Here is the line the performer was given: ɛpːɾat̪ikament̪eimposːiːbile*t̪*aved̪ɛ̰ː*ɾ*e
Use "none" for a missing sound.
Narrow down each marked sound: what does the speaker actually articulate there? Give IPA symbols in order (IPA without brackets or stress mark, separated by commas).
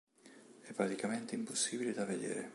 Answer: d̪, ɾ